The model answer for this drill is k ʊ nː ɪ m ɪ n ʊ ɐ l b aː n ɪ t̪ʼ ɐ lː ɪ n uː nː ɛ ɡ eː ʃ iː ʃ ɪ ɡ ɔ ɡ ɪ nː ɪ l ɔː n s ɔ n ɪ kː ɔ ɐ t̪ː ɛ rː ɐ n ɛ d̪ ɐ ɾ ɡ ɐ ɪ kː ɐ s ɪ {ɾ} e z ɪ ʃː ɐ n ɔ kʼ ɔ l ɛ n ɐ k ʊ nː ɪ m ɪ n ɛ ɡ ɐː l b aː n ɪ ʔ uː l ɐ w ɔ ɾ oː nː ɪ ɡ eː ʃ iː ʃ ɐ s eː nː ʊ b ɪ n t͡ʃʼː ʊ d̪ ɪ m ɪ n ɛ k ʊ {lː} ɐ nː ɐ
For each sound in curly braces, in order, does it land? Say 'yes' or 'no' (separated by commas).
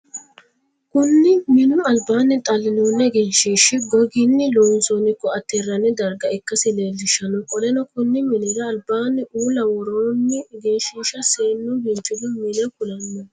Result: no, no